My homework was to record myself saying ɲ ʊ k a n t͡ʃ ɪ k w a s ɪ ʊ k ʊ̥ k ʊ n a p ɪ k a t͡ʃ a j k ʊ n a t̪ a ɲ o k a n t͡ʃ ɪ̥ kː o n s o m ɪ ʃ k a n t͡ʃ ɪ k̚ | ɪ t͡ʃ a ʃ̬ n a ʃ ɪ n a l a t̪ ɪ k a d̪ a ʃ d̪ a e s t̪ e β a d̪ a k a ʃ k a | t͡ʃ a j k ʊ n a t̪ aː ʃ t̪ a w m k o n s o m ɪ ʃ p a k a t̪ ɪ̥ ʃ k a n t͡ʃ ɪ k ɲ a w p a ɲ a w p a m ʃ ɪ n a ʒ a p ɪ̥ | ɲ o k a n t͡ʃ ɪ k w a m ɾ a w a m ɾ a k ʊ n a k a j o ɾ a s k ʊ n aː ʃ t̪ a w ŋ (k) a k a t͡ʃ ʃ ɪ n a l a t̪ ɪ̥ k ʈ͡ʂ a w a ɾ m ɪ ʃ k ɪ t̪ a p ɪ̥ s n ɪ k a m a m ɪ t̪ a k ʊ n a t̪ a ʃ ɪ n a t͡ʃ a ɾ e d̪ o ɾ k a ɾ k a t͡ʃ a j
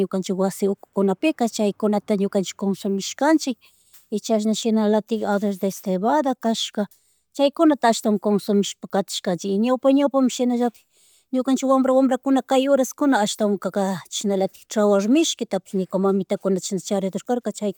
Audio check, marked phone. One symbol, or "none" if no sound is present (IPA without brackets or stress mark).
k